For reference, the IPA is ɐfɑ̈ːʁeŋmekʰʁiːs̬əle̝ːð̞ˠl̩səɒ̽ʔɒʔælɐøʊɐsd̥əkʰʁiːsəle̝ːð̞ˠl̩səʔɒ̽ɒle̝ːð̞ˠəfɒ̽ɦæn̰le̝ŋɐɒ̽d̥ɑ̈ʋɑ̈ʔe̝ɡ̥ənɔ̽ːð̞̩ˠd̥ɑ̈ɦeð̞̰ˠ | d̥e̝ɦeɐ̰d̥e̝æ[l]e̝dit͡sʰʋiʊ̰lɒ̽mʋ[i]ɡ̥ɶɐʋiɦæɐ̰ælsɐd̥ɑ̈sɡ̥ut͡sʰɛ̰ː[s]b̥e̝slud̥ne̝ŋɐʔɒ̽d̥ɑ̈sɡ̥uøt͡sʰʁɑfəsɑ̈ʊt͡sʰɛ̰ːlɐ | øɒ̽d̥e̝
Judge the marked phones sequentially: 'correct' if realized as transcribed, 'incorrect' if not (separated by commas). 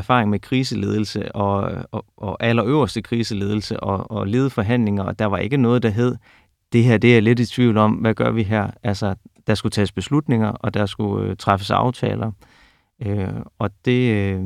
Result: correct, incorrect, correct